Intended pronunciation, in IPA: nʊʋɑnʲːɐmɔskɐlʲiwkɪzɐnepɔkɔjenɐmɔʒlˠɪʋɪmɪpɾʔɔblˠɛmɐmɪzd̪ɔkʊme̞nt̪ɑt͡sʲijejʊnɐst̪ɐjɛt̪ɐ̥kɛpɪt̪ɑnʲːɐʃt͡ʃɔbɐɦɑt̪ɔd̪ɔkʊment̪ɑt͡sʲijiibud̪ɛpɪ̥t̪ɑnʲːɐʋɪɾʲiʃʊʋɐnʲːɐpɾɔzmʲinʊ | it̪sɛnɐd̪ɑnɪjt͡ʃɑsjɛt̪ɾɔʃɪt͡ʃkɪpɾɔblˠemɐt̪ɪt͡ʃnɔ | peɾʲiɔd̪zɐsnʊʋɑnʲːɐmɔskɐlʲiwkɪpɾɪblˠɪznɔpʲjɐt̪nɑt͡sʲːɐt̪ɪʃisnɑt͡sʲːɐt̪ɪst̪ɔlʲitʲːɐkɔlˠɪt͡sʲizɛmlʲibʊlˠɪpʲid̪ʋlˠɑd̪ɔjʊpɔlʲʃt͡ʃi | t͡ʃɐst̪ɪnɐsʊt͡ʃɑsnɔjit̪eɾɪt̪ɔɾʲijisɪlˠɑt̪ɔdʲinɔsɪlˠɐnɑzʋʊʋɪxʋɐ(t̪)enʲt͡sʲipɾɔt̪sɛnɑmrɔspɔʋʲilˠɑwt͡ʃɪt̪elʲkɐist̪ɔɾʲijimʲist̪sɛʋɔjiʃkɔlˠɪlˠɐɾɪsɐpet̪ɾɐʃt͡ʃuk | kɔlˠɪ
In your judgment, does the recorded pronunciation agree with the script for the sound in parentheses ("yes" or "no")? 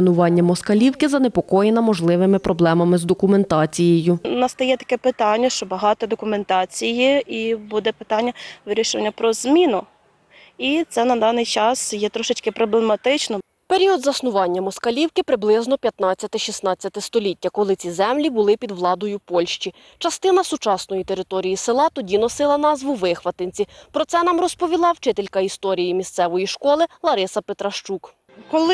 yes